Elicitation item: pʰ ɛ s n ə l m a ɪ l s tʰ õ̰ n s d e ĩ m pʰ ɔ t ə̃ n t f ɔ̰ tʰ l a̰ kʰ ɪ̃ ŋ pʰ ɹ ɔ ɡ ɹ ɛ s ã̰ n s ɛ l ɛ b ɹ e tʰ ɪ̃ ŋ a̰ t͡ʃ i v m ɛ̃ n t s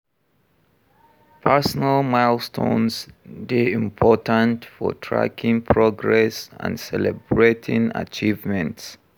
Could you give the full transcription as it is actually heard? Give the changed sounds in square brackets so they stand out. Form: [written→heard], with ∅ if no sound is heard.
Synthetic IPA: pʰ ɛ s n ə l m a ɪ l s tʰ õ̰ n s d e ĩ m pʰ ɔ t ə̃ n t f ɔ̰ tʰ [l→ɹ] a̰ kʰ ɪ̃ ŋ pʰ ɹ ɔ ɡ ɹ ɛ s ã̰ n s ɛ l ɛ b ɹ e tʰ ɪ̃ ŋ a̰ t͡ʃ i v m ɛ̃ n t s